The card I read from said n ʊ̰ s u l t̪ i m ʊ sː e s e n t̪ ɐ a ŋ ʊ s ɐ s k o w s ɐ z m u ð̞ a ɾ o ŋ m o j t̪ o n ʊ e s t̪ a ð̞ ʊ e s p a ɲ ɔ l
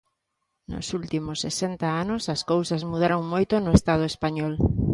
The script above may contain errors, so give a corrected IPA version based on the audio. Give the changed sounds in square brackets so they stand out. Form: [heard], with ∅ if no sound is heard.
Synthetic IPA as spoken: n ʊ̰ s u l t̪ i m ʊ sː e s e n t̪ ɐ a [n] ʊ s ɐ s k o w s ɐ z m u ð̞ a ɾ o ŋ m o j t̪ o n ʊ e s t̪ a ð̞ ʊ e s p a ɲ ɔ l